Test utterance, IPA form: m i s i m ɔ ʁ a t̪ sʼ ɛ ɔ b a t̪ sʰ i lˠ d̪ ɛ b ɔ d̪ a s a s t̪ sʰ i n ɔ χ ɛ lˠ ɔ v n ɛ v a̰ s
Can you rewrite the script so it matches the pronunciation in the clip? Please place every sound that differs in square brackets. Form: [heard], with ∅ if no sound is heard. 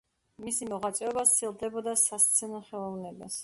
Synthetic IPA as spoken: m i s i m ɔ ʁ a t̪ sʼ ɛ ɔ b a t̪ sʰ i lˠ d̪ ɛ b ɔ d̪ a s a s t̪ sʰ [ɛ] n ɔ χ ɛ lˠ ɔ v n ɛ [b] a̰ s